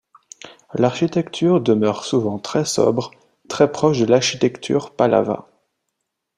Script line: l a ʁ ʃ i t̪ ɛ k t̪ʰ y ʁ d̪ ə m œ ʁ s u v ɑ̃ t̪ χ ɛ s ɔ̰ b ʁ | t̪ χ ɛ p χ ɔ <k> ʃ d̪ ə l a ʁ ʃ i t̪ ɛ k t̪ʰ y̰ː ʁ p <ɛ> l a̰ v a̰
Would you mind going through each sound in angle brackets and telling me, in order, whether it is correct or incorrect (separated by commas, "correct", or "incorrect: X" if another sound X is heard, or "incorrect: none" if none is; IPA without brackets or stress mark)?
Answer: incorrect: none, incorrect: a